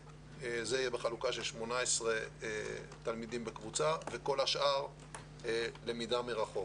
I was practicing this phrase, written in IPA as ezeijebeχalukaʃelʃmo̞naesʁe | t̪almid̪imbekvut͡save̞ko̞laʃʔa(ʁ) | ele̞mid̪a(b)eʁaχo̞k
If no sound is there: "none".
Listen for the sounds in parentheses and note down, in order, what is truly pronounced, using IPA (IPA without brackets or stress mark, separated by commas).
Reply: ʁ, m